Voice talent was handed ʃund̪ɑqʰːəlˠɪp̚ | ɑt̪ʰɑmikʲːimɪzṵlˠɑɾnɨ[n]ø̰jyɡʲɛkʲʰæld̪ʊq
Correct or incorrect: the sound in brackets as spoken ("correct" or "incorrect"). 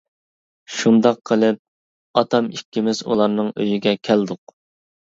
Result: incorrect